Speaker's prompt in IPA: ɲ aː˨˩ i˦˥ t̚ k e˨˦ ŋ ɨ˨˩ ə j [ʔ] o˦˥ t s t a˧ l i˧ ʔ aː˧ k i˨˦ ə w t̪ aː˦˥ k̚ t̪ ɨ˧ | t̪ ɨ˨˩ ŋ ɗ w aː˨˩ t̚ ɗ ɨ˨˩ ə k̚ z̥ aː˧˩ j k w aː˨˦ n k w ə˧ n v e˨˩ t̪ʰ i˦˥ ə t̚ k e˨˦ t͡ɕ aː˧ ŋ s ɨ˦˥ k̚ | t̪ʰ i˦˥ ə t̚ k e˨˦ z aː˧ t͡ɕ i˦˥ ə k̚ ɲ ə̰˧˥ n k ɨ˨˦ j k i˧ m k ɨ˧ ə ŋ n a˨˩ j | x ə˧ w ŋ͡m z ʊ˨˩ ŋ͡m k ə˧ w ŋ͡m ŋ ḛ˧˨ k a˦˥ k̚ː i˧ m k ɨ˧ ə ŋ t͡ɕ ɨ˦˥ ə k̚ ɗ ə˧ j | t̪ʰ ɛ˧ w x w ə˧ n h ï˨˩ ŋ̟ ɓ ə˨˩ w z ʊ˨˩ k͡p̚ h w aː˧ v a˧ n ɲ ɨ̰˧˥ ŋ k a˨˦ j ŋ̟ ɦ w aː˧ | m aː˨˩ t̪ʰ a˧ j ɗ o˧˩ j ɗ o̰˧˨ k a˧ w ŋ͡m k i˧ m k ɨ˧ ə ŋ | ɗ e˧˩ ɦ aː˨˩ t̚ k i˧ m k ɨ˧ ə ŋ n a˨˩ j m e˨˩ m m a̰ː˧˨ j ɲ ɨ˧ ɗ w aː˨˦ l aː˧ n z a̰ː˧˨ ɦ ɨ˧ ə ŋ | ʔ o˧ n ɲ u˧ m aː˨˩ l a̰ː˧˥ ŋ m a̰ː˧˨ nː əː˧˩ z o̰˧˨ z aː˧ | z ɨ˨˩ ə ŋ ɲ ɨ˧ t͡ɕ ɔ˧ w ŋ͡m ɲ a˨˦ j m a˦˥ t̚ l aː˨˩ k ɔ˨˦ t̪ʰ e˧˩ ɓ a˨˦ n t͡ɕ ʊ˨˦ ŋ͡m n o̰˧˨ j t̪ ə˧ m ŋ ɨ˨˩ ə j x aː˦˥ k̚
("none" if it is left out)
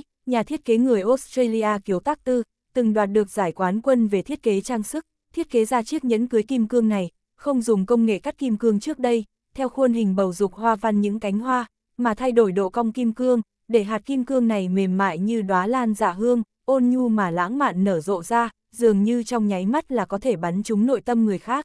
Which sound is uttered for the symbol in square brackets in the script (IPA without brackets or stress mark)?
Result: ʔ